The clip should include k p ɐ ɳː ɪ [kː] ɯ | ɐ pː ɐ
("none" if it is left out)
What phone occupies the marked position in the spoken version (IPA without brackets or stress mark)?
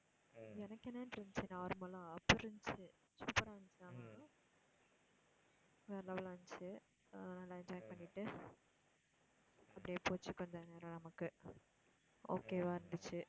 ʈː